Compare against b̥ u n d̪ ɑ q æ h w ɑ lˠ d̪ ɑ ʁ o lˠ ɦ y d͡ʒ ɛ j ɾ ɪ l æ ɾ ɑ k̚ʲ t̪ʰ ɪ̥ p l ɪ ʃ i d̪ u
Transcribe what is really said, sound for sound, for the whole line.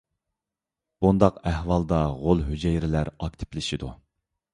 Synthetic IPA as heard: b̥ u n d̪ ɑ q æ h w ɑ lˠ d̪ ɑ ʁ o lˠ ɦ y d͡ʒ ɛ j ɾ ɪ l æ ɾ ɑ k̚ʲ t̪ʰ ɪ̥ p l ɪ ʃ i d̪ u